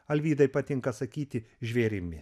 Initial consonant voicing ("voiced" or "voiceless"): voiced